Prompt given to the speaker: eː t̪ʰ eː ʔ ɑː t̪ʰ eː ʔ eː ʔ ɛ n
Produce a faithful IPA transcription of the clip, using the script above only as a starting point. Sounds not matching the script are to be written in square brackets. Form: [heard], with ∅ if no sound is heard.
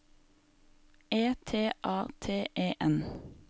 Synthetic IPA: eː t̪ʰ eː ʔ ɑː t̪ʰ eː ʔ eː ʔ ɛ n